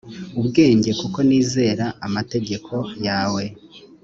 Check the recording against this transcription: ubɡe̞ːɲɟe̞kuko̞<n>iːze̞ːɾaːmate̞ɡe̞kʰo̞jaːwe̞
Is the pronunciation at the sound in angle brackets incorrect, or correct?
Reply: correct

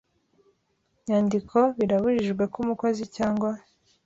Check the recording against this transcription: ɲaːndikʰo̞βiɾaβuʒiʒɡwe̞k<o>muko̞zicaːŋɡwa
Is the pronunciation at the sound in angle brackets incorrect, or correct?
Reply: incorrect: u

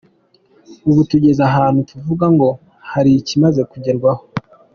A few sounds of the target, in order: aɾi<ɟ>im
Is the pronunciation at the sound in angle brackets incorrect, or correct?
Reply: incorrect: c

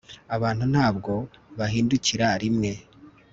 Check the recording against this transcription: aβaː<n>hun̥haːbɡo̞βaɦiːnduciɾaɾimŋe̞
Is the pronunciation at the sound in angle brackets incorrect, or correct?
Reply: correct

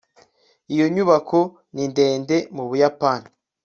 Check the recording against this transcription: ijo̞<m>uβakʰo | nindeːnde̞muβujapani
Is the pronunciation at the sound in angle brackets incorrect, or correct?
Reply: incorrect: ɲ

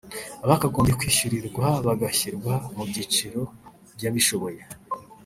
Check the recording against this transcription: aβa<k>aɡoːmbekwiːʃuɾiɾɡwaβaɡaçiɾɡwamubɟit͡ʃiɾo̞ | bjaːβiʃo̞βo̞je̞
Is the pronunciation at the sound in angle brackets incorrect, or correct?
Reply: correct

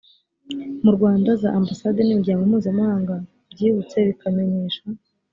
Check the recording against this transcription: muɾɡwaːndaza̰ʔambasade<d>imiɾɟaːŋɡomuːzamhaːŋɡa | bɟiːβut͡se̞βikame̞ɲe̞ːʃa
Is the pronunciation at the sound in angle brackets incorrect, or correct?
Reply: incorrect: n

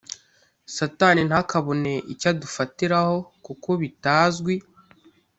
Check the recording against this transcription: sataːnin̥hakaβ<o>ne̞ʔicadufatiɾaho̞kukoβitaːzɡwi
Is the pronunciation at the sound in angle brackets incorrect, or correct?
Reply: correct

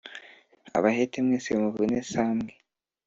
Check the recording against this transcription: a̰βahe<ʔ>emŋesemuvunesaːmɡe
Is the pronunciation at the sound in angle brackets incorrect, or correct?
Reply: incorrect: t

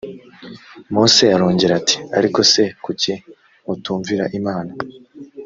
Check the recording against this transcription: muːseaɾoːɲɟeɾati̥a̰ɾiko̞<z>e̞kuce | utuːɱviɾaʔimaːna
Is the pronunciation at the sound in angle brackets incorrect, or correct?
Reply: incorrect: s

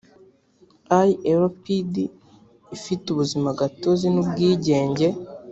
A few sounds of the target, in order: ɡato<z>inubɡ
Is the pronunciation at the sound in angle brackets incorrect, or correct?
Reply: correct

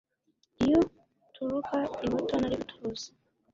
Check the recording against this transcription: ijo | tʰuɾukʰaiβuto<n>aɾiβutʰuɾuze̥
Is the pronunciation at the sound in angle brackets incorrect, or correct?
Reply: correct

